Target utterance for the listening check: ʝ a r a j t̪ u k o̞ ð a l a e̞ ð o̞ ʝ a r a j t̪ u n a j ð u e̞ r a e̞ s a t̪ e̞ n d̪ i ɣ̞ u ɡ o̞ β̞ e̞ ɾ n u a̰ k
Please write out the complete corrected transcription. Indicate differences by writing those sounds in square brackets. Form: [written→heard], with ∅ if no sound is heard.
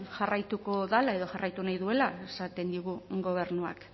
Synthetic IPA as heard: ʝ a r a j t̪ u k o̞ ð a l a e̞ ð o̞ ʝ a r a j t̪ u n a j ð u e̞ [r→l] a e̞ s a t̪ e̞ n d̪ i ɣ̞ u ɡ o̞ β̞ e̞ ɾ n u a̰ k